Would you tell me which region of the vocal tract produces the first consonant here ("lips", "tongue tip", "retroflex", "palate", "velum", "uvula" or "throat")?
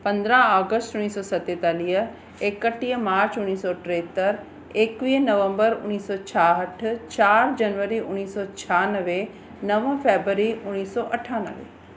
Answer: lips